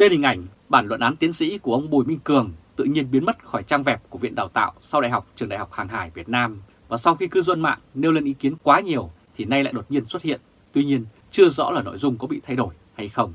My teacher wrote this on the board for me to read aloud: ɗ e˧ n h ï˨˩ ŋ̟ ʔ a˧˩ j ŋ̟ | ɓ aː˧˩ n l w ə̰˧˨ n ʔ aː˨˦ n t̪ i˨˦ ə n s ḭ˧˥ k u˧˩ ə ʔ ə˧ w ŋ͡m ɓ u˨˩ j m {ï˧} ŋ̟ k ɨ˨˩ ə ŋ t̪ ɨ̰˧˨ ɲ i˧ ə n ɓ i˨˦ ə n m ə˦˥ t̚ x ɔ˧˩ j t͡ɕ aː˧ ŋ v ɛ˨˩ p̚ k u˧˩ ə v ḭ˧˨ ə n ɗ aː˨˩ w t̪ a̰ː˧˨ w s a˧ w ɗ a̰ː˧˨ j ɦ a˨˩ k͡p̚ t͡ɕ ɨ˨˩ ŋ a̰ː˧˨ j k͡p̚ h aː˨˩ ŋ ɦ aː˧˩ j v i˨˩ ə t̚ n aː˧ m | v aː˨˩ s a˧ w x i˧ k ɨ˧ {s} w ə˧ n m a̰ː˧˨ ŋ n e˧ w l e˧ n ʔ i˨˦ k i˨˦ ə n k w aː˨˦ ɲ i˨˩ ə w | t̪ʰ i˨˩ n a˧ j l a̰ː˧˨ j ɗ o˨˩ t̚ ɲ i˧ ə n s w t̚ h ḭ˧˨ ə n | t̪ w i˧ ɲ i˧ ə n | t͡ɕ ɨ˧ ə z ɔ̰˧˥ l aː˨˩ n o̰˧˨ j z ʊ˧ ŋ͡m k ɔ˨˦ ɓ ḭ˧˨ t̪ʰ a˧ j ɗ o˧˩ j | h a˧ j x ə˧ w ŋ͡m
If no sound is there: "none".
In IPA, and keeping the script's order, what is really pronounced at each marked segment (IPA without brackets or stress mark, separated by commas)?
ï˧, z